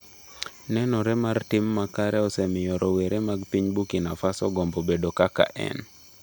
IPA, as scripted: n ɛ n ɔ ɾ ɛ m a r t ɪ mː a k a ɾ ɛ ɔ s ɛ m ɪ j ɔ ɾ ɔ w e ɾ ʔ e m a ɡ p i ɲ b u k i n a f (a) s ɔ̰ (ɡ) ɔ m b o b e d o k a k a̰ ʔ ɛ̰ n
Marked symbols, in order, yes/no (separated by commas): yes, yes